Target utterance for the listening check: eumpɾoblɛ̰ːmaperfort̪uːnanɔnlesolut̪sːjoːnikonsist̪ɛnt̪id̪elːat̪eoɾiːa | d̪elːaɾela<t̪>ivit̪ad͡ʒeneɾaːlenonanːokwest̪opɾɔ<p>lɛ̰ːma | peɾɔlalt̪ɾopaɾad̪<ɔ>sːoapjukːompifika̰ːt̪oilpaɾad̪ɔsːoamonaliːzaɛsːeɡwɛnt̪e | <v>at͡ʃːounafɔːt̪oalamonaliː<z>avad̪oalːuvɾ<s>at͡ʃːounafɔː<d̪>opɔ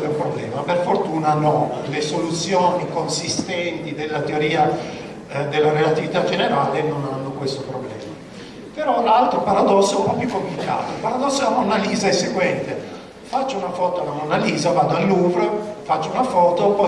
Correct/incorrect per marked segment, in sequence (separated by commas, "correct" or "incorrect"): correct, incorrect, correct, incorrect, correct, incorrect, incorrect